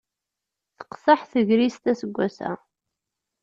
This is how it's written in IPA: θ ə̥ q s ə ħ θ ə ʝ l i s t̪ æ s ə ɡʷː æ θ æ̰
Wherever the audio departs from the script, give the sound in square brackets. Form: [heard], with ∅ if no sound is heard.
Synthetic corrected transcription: θ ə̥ q s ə ħ θ ə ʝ [ɾ] i s t̪ æ s ə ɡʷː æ [s] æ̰

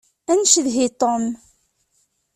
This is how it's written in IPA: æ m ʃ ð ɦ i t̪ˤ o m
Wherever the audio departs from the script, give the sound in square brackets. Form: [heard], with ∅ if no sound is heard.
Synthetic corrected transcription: æ [n] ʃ ð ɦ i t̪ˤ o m

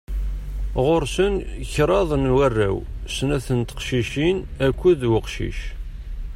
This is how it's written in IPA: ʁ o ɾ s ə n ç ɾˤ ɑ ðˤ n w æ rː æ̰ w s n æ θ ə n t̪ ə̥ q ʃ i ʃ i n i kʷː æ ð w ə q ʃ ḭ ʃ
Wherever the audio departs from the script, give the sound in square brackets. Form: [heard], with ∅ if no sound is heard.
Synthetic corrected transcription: ʁ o ɾ s ə n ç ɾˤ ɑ ðˤ n w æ rː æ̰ w s n æ θ ə n t̪ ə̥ q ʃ i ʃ i n [æ] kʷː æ ð w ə q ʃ ḭ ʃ

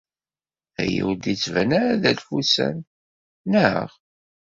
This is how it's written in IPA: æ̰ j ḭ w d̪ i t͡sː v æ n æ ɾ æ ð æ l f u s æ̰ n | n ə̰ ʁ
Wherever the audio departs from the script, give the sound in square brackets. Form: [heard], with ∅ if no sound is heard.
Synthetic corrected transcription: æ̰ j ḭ w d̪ i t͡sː v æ n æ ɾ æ ð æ l f u s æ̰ n | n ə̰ ʁ

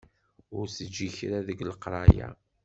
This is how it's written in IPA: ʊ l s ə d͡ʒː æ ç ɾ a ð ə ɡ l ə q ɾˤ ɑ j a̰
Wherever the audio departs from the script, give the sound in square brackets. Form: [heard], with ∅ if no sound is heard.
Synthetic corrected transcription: ʊ [ɾ] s ə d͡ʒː [i] ç ɾ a ð ə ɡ l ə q ɾˤ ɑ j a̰

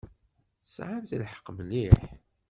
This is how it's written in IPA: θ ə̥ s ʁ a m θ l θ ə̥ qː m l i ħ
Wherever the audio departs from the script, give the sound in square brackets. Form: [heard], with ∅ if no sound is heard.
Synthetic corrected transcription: θ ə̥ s [ʕ] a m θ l [ħ] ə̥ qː m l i ħ

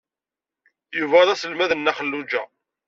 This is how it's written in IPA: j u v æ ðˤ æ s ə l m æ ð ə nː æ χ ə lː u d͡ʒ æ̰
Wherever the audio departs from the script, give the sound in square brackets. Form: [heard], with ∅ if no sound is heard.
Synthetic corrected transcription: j u v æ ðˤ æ s ə l m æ ð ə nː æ χ ə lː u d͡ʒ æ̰

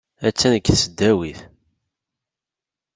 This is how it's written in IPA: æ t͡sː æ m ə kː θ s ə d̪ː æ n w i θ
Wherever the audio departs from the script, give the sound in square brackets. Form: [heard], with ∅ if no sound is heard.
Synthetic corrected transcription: æ t͡sː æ [n] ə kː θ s ə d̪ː æ [∅] w i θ

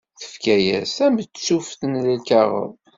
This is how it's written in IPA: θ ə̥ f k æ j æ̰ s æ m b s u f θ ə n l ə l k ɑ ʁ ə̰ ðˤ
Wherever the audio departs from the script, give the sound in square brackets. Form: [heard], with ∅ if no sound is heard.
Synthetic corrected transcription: θ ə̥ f k æ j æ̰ s æ m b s u f θ ə n l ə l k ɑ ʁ ə̰ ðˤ

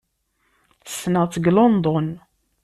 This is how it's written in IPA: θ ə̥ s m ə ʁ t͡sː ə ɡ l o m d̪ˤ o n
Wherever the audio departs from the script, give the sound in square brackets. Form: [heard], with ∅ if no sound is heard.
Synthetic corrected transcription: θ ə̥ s [n] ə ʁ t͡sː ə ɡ l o [n] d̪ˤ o n

